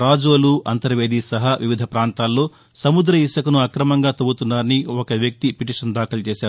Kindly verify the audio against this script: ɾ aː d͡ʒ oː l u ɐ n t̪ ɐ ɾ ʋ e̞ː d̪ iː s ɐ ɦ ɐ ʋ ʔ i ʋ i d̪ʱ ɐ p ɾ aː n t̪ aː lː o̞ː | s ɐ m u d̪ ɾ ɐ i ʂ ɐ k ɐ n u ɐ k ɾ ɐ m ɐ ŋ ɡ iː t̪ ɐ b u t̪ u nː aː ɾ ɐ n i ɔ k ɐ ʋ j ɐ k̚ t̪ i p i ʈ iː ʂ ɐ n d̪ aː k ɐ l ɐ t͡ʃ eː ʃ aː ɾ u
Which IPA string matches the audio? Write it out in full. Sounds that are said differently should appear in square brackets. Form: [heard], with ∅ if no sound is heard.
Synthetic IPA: ɾ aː d͡ʒ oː l u ɐ n t̪ ɐ ɾ ʋ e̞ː d̪ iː s ɐ ɦ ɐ ʋ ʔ i ʋ i d̪ʱ ɐ p ɾ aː n t̪ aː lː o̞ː | s ɐ m u d̪ ɾ ɐ i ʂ ɐ k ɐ n u ɐ k ɾ ɐ m ɐ ŋ ɡ [aː] t̪ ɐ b u t̪ u nː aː ɾ ɐ n i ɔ k ɐ ʋ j ɐ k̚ t̪ i p i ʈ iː ʂ ɐ n d̪ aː k ɐ l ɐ t͡ʃ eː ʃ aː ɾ u

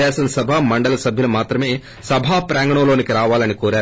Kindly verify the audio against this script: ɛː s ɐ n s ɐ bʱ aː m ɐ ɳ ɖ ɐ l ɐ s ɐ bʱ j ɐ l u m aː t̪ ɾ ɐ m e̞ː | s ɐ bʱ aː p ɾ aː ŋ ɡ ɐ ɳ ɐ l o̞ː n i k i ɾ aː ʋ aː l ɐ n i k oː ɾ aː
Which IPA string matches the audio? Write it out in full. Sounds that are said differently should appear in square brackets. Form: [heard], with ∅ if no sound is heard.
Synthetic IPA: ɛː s ɐ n s ɐ bʱ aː m ɐ ɳ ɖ ɐ l ɐ s ɐ bʱ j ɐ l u m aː t̪ ɾ ɐ m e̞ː | s ɐ bʱ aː p ɾ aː ŋ ɡ ɐ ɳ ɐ l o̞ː n i k i ɾ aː ʋ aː l ɐ n i k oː ɾ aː

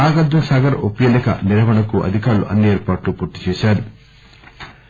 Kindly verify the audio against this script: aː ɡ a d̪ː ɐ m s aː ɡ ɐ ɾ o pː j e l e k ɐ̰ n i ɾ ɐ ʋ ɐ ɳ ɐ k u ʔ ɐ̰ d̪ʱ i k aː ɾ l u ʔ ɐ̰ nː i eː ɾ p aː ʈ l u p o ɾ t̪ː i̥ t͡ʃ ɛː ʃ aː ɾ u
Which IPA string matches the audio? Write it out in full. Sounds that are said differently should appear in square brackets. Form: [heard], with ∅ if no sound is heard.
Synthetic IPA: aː ɡ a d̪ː ɐ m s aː ɡ ɐ ɾ o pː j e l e k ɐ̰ n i ɾ ɐ ʋ ɐ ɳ ɐ k u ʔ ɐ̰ d̪ʱ i k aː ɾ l u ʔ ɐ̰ nː i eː ɾ p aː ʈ l u p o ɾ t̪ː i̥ t͡ʃ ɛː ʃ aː ɾ u

